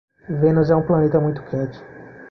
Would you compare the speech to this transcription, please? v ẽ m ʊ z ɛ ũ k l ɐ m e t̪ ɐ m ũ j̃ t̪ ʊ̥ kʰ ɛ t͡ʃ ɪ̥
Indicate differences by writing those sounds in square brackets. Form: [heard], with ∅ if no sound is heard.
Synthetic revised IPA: v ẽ [n] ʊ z ɛ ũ [p] l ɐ [n] e t̪ ɐ m ũ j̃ t̪ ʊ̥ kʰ ɛ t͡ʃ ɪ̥